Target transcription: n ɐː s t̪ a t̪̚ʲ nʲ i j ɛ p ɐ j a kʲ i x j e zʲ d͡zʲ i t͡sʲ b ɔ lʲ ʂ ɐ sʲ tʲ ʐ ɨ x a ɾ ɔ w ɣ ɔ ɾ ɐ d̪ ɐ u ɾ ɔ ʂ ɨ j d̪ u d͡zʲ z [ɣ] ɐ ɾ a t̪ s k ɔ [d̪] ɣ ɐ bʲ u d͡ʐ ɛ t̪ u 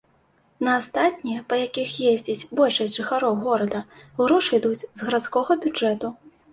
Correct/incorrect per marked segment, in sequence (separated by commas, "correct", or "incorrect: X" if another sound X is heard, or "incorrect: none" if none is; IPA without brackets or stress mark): correct, incorrect: none